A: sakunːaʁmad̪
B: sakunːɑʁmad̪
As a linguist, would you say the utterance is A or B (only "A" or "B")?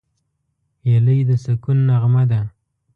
A